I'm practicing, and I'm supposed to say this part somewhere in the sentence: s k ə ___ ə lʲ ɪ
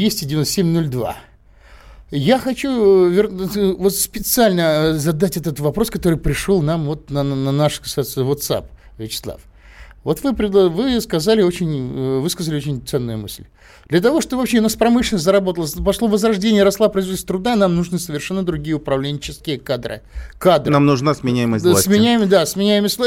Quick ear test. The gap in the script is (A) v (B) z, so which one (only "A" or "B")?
B